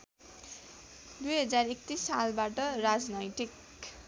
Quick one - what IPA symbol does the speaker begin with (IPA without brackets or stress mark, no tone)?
d̪